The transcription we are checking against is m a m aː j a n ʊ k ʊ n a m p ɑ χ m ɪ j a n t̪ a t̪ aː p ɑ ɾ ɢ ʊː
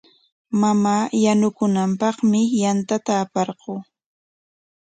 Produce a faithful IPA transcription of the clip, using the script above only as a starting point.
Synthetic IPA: m a m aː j a n ʊ k ʊ n a m p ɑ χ m ɪ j a n t̪ a t̪ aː p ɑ ɾ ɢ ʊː